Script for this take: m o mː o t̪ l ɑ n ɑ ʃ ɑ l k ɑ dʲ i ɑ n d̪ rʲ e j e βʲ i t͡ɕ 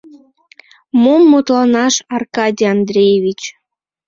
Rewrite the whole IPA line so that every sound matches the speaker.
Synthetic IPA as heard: m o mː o t̪ l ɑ n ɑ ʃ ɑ r k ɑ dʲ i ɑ n d̪ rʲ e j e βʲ i t͡ɕ